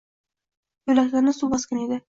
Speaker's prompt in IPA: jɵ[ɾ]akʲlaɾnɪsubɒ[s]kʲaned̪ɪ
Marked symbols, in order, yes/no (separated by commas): no, yes